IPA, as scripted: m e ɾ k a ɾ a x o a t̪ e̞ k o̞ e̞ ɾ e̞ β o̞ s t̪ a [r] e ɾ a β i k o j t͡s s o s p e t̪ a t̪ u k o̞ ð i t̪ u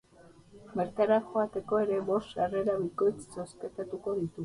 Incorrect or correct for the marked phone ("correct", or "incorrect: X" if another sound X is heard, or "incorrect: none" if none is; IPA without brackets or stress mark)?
correct